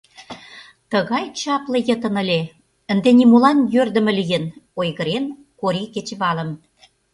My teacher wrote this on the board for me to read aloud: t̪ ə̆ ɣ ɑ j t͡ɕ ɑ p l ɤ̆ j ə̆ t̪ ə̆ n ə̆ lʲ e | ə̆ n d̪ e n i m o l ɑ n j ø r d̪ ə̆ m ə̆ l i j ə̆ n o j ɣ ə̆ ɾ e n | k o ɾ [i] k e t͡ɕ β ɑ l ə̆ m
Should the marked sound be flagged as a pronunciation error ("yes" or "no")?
no